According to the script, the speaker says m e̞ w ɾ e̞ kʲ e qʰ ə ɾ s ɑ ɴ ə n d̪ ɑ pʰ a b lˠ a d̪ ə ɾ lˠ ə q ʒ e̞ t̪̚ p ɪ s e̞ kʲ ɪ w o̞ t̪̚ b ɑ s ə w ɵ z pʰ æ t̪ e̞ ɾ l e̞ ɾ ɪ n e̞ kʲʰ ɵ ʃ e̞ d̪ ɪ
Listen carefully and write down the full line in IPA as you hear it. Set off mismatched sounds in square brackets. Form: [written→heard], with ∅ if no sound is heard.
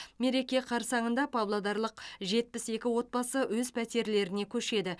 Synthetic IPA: m e̞ [w→∅] ɾ e̞ kʲ e qʰ [ə→ɑ] ɾ s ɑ ɴ ə n d̪ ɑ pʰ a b lˠ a d̪ [ə→ɑ] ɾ lˠ ə q ʒ e̞ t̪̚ p ɪ s e̞ kʲ ɪ w o̞ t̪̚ b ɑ s ə w ɵ z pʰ æ t̪ e̞ ɾ l e̞ ɾ ɪ n e̞ kʲʰ ɵ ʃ e̞ d̪ ɪ